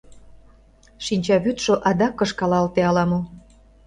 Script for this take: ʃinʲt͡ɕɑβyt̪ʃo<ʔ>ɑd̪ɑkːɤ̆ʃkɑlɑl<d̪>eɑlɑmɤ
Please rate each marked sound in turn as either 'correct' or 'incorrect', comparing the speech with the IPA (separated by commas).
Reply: correct, incorrect